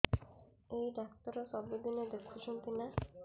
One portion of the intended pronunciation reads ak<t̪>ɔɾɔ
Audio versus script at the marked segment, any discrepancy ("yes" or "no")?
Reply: no